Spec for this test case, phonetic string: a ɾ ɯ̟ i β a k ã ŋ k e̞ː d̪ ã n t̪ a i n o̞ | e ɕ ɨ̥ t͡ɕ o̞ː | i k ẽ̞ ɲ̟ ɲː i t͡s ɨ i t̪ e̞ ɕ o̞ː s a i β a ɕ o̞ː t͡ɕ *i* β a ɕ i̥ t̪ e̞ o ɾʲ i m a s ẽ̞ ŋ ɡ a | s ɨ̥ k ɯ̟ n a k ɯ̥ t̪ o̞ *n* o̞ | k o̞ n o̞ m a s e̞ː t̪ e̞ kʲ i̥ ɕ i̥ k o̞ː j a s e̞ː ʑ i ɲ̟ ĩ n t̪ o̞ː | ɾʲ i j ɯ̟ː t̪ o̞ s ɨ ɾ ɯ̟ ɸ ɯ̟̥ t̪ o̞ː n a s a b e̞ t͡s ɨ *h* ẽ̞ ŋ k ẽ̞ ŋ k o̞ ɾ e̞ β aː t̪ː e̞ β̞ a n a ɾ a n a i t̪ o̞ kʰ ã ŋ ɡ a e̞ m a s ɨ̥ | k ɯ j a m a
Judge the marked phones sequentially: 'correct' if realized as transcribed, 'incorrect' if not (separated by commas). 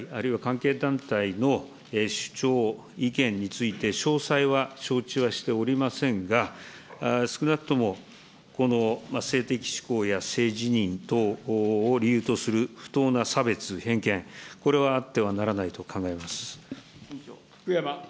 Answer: correct, incorrect, correct